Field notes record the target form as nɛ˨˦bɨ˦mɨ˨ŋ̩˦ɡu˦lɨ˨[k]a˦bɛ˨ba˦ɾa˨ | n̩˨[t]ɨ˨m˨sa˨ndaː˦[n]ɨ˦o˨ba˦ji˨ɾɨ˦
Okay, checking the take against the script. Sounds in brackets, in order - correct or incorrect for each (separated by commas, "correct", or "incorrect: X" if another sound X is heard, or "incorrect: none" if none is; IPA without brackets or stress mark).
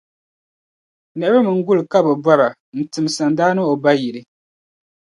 correct, correct, correct